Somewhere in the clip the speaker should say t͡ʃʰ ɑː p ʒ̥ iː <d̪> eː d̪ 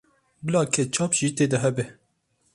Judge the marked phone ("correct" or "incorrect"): incorrect